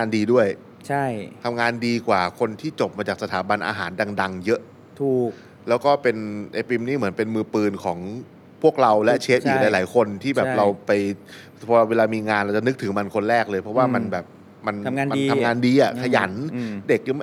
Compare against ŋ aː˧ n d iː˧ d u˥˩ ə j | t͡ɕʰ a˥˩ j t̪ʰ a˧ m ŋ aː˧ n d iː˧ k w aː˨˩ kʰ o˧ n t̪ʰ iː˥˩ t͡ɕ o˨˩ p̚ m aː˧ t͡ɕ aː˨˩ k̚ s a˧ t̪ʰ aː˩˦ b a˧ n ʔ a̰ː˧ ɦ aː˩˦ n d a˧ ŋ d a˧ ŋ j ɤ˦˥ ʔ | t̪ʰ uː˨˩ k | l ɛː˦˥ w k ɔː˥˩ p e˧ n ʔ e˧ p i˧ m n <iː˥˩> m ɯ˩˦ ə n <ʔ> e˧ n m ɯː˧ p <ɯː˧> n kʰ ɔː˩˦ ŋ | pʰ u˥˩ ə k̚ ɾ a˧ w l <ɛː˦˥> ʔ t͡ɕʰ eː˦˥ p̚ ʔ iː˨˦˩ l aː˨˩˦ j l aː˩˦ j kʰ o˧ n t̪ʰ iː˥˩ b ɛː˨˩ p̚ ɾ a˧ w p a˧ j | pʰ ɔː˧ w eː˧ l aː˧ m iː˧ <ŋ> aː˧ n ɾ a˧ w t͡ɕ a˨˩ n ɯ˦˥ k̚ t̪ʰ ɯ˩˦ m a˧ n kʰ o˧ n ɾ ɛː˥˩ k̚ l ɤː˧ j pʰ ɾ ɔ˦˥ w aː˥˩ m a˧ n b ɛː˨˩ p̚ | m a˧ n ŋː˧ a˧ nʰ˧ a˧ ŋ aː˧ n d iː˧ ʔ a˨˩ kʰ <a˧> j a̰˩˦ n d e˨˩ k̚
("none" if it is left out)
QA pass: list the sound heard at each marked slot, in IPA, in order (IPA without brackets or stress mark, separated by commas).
iː˥˩, p, ɯː˧, ɛ˦˥, ŋ, a˧